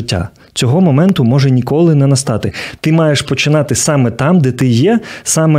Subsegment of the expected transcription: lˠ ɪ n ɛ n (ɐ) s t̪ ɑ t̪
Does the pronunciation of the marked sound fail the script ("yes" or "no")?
no